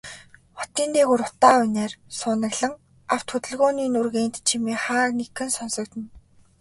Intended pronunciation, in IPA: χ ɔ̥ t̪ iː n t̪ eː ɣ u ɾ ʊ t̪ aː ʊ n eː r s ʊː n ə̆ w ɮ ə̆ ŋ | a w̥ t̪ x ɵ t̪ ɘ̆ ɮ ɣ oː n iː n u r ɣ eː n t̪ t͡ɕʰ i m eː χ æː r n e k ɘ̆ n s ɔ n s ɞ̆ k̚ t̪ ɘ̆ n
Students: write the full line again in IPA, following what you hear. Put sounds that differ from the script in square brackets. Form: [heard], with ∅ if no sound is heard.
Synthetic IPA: χ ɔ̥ t̪ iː n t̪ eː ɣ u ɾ ʊ t̪ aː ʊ n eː r s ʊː n ə̆ [ɣ] ɮ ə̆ ŋ | a w̥ t̪ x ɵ t̪ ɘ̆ ɮ ɣ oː n iː n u r ɣ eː n t̪ t͡ɕʰ i m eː χ [aː] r n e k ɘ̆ n s ɔ n s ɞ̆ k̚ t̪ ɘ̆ n